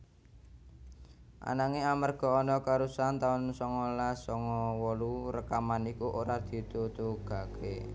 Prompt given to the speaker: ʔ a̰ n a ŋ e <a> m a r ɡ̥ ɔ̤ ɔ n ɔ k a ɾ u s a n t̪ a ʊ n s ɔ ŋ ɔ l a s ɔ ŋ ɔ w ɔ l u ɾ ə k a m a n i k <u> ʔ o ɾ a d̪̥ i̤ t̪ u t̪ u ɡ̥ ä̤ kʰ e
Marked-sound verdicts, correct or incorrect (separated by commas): correct, correct